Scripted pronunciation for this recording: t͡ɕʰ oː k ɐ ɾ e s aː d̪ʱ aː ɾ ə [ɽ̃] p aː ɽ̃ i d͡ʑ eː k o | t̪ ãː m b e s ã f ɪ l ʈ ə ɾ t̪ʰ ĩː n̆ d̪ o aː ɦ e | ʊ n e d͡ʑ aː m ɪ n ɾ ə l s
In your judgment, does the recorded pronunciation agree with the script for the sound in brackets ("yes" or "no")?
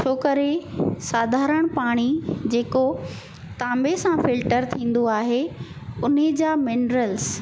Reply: yes